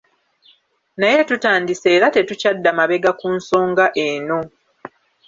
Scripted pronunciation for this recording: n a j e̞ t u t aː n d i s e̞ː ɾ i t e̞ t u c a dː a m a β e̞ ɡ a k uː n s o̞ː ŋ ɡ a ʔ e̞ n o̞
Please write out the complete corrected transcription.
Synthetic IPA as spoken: n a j e̞ t u t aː n d i s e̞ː ɾ a t e̞ t u c a dː a m a β e̞ ɡ a k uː n s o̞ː ŋ ɡ a ʔ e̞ n o̞